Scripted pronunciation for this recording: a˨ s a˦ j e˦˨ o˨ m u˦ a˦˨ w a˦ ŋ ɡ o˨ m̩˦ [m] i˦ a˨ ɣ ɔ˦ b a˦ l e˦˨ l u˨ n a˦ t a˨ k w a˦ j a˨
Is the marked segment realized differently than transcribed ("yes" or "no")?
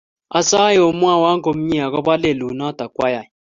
yes